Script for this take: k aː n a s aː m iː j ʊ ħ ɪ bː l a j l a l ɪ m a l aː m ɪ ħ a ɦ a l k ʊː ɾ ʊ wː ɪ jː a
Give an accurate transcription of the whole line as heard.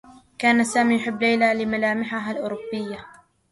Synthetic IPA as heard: k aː n a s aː m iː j ʊ ħ ɪ bː l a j l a l ɪ m a l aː m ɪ ħ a ɦ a l ʔ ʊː ɾ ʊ bː ɪ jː a